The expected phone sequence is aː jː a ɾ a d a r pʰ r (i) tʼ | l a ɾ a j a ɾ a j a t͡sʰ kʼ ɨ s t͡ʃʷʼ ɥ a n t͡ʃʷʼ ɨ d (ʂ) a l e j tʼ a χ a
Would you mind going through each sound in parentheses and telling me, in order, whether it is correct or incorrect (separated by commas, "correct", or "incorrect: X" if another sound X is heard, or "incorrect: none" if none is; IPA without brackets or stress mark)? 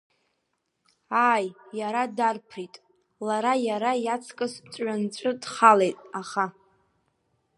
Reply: correct, incorrect: χ